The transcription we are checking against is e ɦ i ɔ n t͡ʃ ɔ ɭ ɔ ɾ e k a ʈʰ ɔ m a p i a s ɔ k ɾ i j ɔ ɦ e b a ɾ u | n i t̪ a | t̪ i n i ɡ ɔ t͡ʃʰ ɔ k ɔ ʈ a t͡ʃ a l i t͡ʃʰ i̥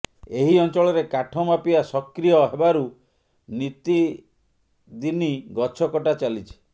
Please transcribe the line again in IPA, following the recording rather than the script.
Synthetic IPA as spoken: e ɦ i ɔ n t͡ʃ ɔ ɭ ɔ ɾ e k a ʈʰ ɔ m a p i a s ɔ k ɾ i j ɔ ɦ e b a ɾ u | n i t̪ i | d̪ i n i ɡ ɔ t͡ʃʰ ɔ k ɔ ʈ a t͡ʃ a l i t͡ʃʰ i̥